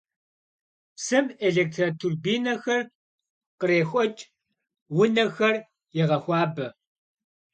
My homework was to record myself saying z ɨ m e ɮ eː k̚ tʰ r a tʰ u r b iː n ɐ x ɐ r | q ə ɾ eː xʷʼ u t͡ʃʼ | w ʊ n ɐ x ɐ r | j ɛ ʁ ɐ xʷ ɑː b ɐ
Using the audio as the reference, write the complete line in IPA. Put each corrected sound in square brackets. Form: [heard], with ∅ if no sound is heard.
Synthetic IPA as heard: [s] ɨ m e ɮ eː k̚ tʰ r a tʰ u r b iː n ɐ x ɐ r | q ə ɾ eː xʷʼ [ɔ] t͡ʃʼ | w ʊ n ɐ x ɐ r | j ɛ ʁ ɐ xʷ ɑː b ɐ